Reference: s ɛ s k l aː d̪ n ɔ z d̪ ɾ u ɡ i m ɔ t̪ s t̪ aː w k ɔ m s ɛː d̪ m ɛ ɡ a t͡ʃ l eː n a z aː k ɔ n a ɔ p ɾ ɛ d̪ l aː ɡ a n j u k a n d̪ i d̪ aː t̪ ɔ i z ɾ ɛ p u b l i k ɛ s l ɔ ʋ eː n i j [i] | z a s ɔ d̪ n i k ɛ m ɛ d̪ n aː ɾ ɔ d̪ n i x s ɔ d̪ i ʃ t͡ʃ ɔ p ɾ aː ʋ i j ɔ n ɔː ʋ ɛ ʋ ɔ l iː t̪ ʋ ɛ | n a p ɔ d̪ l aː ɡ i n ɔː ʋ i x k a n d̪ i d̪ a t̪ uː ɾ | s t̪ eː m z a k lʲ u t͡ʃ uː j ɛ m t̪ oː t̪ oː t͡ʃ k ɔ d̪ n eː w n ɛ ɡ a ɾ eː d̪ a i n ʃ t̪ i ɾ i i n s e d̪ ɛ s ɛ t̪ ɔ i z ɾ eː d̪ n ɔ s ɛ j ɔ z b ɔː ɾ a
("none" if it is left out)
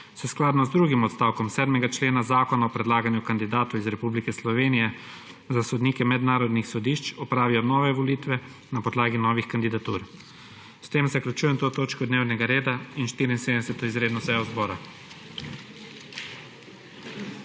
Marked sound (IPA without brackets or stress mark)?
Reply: ɛ